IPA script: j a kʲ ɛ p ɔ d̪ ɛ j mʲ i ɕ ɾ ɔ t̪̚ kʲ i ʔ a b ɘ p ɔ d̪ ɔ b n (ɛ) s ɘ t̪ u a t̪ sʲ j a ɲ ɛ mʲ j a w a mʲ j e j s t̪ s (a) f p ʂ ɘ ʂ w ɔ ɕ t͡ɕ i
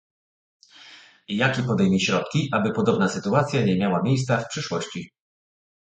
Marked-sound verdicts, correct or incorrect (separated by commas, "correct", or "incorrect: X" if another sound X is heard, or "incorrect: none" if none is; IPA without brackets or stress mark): incorrect: a, correct